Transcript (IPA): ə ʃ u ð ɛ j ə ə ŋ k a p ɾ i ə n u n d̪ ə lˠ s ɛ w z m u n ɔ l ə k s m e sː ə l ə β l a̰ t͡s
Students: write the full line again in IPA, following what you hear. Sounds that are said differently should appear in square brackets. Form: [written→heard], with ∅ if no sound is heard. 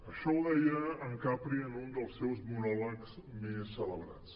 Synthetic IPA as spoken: ə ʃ [u→ɔ] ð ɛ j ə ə ŋ k a p ɾ i ə n u n d̪ ə lˠ s ɛ w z m u n ɔ l ə k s m e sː ə l ə β [l→ɾ] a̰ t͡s